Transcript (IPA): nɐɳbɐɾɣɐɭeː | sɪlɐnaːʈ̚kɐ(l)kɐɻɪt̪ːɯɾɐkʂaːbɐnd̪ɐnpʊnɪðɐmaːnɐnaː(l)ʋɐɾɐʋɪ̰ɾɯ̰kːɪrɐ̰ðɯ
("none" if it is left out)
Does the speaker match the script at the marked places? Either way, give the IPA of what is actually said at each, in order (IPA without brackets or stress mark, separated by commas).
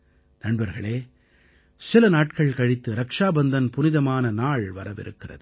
ɭ, ɭ